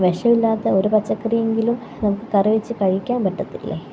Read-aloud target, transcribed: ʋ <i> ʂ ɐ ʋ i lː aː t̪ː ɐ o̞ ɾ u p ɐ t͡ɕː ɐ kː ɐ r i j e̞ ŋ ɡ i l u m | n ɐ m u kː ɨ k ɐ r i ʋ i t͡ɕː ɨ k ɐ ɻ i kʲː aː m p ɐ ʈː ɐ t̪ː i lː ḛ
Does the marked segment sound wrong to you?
yes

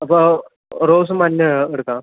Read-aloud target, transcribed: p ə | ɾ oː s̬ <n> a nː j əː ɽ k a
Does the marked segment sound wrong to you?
yes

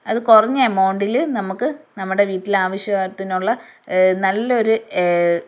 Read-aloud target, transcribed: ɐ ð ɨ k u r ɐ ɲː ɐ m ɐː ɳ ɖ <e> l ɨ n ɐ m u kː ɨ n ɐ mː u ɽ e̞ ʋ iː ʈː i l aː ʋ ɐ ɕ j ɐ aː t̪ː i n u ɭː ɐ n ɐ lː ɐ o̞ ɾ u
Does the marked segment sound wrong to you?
yes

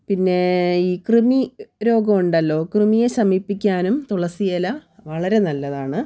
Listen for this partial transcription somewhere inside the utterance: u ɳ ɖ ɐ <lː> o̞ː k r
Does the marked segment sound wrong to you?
no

